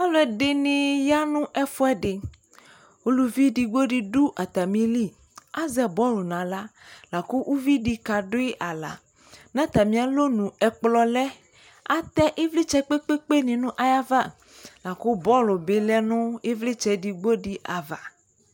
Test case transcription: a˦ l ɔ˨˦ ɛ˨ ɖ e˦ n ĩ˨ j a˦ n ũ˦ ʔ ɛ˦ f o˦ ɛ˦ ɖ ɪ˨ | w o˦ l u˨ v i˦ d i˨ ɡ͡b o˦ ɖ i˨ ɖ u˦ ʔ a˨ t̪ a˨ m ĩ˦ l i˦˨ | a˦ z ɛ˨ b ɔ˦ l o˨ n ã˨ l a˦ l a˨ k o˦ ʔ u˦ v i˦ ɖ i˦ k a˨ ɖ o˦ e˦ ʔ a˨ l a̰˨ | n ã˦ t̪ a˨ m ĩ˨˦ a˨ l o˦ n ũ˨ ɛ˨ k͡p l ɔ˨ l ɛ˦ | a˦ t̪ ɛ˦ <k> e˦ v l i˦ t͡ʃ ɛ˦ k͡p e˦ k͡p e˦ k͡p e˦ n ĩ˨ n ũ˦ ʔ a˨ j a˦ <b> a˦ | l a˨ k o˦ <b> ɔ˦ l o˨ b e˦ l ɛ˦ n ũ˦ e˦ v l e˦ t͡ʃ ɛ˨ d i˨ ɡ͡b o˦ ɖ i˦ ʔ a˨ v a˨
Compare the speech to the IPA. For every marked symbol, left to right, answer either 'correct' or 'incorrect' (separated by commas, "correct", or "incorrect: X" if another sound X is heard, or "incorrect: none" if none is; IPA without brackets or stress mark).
incorrect: ʔ, incorrect: v, correct